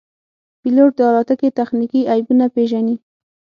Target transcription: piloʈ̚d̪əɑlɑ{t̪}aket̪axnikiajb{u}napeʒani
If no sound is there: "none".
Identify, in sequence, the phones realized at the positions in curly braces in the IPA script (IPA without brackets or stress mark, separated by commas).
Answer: t̪, u